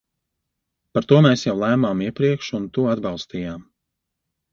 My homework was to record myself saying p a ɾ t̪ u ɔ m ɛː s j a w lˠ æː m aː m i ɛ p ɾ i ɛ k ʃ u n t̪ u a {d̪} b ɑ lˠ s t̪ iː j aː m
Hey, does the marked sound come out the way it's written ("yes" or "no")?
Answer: yes